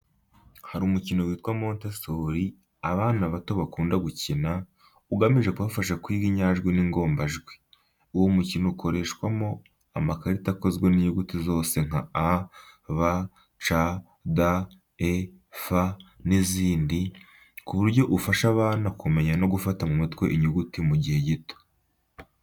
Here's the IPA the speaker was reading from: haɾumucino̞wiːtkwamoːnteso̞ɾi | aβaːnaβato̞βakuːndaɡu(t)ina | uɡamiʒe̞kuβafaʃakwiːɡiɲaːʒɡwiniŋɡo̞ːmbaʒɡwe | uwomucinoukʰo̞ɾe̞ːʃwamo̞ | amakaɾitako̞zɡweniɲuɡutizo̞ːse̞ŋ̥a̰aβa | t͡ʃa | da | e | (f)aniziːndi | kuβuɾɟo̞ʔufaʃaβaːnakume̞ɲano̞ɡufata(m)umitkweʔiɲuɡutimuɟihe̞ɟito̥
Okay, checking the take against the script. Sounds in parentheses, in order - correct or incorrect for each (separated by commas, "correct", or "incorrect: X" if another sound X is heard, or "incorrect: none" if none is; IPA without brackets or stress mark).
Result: incorrect: c, correct, correct